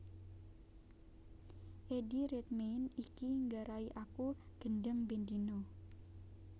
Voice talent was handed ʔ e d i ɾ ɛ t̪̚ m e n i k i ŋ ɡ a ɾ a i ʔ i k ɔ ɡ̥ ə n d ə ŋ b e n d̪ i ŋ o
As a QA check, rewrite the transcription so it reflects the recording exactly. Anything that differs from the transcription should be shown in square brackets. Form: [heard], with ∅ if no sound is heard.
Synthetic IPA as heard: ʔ e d i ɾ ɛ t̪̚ m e n i k i ŋ ɡ a ɾ a i ʔ [a] k [u] ɡ̥ ə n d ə ŋ b e n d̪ i [n] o